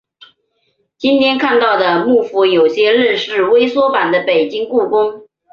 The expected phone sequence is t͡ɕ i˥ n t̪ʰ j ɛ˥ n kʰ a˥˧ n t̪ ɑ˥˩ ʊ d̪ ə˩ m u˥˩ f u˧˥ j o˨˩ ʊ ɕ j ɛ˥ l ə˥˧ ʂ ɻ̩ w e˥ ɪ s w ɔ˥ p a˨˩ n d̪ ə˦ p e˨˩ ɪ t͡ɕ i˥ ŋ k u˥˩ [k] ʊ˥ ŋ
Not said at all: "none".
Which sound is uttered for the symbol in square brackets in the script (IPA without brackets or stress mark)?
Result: k